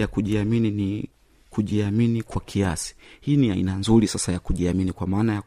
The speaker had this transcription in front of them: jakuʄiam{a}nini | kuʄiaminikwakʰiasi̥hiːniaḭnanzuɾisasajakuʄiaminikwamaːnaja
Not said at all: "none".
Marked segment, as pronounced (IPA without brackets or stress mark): i